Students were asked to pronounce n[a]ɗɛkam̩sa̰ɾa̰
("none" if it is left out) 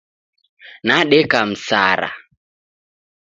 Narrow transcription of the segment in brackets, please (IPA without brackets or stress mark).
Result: a